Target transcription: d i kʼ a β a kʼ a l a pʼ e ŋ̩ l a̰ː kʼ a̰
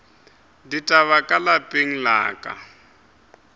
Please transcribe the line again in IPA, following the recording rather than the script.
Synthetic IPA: d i tʼ a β a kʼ a l a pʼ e ŋ̩ l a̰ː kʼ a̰